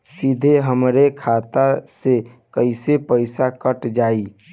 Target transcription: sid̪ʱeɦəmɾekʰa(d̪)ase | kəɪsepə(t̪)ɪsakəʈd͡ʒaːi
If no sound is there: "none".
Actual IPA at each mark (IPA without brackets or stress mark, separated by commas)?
t̪, none